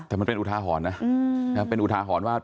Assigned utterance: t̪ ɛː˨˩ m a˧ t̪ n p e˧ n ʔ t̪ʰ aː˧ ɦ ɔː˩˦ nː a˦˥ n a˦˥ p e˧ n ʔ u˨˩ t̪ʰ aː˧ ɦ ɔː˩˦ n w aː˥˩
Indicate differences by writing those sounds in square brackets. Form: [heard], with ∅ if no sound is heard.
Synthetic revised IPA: t̪ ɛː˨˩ m a˧ [∅] n p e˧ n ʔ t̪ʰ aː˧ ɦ ɔː˩˦ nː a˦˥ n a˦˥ p e˧ n ʔ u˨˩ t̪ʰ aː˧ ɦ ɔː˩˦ n w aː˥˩